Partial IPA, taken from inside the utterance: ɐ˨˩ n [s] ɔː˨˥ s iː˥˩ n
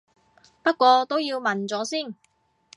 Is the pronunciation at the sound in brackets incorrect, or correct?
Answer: incorrect